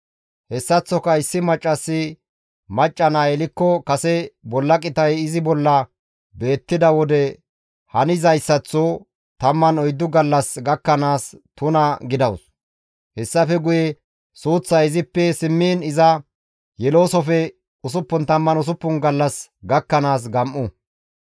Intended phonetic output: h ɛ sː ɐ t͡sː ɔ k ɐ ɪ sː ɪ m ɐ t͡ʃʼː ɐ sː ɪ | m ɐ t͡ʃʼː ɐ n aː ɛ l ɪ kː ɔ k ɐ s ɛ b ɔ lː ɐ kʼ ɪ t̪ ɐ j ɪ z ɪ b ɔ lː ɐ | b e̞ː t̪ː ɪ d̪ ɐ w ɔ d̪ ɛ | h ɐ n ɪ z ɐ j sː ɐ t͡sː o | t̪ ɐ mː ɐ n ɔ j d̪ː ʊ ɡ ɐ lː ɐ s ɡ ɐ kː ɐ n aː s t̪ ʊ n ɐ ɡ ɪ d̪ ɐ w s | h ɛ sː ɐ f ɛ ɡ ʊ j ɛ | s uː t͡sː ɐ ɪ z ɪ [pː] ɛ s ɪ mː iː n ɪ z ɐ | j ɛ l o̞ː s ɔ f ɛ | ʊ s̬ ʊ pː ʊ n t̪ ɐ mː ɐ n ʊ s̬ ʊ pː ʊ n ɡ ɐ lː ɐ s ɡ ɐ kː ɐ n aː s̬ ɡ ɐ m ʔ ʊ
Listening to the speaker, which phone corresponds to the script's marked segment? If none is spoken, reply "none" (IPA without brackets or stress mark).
pː